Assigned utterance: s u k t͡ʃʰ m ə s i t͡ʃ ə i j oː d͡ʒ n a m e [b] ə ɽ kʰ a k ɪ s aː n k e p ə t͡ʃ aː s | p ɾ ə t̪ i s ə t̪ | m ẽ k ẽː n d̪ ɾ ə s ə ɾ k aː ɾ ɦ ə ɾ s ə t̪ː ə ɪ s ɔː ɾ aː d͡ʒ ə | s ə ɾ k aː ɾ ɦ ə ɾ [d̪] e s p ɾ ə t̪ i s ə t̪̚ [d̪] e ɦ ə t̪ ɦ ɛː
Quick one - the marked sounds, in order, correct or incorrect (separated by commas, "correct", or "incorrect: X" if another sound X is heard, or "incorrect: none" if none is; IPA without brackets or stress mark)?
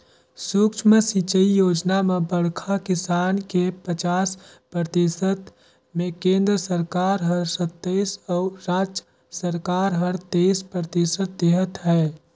correct, incorrect: t̪, correct